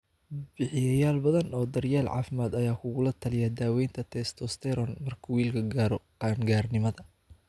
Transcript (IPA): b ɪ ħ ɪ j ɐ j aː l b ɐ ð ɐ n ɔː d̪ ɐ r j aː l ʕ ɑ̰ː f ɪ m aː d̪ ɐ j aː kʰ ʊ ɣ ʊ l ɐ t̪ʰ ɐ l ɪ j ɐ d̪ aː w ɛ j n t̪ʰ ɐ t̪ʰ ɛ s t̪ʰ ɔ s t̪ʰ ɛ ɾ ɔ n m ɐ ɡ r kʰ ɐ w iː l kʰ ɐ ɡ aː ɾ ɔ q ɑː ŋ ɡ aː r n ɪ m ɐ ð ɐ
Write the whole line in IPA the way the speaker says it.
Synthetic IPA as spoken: b ɪ ħ ɪ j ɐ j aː l b ɐ ð ɐ n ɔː d̪ ɐ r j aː l ʕ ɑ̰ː f ɪ m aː d̪ ɐ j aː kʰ ʊ ɣ ʊ l ɐ t̪ʰ ɐ l ɪ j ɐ d̪ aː w ɛ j n t̪ʰ ɐ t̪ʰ ɛ s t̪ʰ ɔ s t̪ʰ ɛ ɾ ɔ n m ɐ r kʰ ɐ w iː l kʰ ɐ ɡ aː ɾ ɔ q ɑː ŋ ɡ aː r n ɪ m ɐ ð ɐ